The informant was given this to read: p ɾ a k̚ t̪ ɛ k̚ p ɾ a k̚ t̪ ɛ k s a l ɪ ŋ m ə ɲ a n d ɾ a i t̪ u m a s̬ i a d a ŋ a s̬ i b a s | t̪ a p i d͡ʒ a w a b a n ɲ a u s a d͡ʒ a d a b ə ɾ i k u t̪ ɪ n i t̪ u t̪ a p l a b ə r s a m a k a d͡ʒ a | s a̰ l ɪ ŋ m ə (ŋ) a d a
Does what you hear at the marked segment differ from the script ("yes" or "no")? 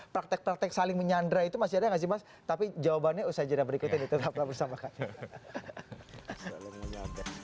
yes